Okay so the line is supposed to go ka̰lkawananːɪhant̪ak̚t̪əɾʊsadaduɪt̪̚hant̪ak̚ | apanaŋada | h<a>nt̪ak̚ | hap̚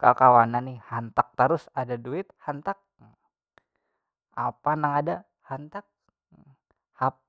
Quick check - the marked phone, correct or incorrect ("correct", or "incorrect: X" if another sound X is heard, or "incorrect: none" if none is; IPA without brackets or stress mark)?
correct